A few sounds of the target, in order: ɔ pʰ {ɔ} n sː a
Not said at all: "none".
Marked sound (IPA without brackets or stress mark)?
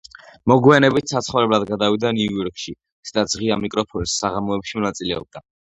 ɔ